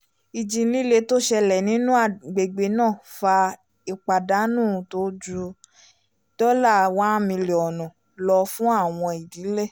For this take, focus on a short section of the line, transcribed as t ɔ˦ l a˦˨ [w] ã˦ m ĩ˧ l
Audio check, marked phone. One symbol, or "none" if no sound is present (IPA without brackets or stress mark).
w